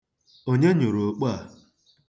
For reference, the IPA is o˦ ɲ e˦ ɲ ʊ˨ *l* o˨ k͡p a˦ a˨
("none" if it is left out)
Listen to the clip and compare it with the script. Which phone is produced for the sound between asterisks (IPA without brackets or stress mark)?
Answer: ɾ